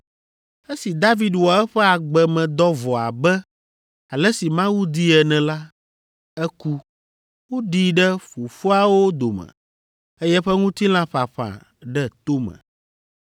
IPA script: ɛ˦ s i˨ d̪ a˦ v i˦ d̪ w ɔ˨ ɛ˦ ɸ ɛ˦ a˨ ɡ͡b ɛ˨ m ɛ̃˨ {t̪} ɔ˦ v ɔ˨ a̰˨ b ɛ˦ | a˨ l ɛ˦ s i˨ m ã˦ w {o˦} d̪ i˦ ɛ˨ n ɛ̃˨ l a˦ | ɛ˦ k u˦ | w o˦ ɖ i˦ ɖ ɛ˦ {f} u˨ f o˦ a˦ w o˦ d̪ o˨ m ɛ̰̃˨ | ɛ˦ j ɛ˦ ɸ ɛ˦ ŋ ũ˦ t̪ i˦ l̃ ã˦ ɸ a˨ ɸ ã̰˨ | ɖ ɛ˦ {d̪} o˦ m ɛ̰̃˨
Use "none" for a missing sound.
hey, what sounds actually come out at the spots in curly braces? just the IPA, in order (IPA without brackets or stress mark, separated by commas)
d̪, u˦, f, t̪